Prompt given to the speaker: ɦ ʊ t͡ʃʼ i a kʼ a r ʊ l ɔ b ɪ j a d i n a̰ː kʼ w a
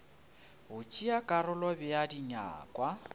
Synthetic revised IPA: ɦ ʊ t͡ʃʼ i a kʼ a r ʊ l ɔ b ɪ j a d i ɲ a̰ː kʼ w a